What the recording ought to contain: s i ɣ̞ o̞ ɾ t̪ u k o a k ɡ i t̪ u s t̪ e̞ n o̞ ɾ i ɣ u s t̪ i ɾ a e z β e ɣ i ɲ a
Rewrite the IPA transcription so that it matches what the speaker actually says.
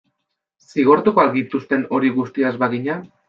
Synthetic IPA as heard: s i ɣ̞ o̞ ɾ t̪ u k o a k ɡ i t̪ u s t̪ e̞ n o̞ ɾ i ɣ u s t̪ i a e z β a ɣ i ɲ a